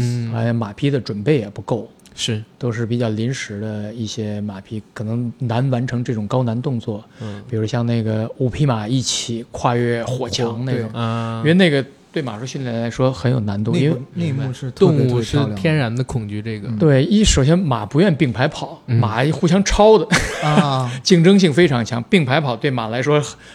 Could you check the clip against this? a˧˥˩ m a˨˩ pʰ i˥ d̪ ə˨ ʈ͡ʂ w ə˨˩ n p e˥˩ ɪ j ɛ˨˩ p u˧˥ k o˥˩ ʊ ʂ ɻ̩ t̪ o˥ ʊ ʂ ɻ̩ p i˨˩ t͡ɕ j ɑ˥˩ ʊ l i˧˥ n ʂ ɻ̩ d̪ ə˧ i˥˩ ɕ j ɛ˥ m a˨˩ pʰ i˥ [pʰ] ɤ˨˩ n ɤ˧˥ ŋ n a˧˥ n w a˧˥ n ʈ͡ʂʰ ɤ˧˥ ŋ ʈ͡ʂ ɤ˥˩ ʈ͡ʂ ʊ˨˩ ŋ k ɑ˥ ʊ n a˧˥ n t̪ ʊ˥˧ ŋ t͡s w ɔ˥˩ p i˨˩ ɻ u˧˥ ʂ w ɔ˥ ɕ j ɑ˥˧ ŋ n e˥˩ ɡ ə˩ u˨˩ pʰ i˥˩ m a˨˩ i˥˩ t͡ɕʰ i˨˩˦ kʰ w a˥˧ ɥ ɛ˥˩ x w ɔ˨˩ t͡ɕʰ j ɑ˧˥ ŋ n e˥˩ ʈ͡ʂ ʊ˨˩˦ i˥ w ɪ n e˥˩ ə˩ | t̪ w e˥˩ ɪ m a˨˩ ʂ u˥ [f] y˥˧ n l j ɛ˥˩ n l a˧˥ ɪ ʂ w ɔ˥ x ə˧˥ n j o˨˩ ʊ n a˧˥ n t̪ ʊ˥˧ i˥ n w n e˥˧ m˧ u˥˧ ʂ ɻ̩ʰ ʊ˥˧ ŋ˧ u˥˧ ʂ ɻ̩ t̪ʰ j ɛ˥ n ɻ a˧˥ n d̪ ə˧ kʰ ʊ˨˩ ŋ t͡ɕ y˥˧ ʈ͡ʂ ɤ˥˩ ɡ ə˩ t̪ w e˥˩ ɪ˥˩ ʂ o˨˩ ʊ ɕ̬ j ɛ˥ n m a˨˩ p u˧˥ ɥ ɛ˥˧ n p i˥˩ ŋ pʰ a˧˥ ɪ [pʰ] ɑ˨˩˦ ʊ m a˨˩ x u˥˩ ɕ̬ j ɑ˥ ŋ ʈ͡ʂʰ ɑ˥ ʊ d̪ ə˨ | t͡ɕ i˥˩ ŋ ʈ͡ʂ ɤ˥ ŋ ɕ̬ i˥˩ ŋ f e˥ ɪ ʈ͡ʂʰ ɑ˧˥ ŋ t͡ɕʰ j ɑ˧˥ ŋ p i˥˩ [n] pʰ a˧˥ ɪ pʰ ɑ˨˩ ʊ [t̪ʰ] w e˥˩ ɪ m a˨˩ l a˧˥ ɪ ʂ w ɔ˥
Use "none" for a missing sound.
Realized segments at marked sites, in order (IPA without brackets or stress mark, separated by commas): kʰ, ɕ, pʰ, ŋ, t̪